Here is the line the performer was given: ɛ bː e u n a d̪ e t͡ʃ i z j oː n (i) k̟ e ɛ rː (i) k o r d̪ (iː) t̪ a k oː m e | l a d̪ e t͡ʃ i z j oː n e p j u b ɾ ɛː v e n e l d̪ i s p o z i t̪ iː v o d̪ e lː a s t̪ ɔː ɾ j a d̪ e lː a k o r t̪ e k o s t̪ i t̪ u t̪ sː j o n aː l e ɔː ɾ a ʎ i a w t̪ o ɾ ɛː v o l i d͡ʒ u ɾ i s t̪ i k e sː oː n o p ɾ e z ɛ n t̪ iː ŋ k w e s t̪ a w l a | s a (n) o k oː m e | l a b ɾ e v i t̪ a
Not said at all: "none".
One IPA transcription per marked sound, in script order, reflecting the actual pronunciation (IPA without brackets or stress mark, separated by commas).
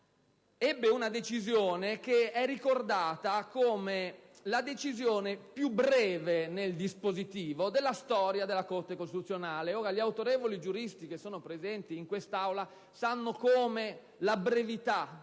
e, i, aː, nː